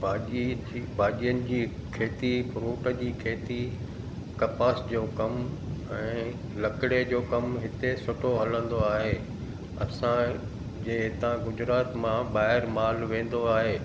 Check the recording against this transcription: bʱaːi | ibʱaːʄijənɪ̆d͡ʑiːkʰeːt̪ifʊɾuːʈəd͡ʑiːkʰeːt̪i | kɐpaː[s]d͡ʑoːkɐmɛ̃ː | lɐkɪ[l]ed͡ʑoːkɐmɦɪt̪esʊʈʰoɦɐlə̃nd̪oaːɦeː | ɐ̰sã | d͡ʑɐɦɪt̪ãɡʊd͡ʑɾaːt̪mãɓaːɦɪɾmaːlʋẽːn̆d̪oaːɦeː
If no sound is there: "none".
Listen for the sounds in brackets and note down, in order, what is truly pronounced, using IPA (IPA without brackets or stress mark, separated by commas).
s, ɽ